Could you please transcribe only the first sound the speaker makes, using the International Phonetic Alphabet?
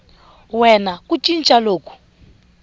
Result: w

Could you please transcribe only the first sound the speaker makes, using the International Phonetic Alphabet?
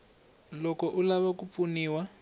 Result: l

